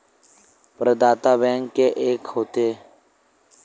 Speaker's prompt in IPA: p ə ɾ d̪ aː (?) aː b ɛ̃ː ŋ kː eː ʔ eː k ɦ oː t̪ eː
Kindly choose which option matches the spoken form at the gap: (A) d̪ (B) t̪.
B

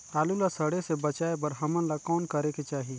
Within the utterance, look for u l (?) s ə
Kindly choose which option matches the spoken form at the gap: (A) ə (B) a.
B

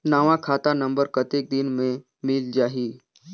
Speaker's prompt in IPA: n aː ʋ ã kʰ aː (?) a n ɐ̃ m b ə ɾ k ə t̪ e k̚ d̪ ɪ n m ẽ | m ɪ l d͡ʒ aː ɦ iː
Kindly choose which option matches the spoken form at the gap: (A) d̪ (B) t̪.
B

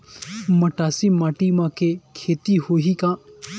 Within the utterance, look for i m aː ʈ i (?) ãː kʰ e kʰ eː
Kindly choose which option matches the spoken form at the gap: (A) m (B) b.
A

